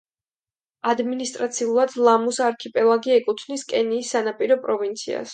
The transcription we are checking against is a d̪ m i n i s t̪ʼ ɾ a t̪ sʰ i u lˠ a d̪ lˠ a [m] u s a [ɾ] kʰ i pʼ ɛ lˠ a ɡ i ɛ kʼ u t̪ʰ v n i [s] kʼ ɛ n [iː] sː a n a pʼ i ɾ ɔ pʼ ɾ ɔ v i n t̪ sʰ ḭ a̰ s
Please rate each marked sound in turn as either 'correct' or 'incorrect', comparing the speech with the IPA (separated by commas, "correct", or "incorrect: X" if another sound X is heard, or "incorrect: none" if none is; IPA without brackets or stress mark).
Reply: correct, correct, correct, correct